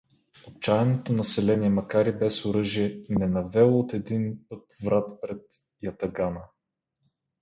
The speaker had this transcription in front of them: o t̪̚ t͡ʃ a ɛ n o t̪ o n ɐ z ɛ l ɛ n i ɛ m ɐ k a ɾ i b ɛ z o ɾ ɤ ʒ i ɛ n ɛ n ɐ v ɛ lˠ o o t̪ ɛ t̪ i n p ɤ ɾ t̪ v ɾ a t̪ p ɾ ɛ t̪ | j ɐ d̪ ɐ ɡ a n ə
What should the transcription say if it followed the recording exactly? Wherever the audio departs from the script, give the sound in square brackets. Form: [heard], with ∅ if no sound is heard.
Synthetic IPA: o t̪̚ t͡ʃ a ɛ n o t̪ o n ɐ [s] ɛ l ɛ n i ɛ m ɐ k a ɾ i b ɛ [s] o ɾ ɤ ʒ i ɛ n ɛ n ɐ v ɛ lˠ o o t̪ ɛ [d̪] i n p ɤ [∅] t̪ v ɾ a t̪ p ɾ ɛ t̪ | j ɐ [t̪] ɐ ɡ a n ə